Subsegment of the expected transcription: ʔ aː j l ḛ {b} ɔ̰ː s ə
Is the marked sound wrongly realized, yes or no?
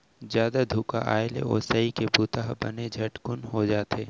yes